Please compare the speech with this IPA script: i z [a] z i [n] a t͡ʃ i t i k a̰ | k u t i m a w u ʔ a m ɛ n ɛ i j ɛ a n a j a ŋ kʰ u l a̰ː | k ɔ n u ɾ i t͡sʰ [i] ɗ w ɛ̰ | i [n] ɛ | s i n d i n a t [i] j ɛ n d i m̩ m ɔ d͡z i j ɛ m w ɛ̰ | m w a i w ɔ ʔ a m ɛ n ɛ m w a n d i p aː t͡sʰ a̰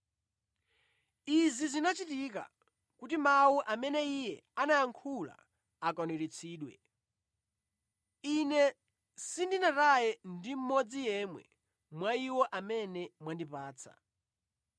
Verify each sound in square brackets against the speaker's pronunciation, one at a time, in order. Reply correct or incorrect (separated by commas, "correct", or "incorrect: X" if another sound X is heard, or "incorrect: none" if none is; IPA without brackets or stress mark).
incorrect: i, correct, incorrect: iː, correct, incorrect: a